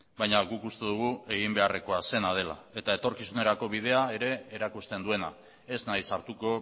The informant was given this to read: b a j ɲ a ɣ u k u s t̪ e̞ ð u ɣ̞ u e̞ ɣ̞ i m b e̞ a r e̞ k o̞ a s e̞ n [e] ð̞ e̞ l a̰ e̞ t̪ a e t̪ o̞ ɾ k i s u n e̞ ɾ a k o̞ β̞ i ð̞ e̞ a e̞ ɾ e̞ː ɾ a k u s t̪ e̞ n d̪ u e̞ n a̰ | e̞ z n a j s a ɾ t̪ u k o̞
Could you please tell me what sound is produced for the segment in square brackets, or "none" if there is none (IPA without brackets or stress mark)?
a